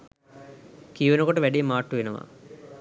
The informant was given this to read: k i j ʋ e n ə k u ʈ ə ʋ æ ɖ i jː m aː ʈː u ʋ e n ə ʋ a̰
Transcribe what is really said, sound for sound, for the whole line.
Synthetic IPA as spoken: k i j ʋ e n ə k o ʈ ə ʋ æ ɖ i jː m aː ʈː u ʋ e n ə ʋ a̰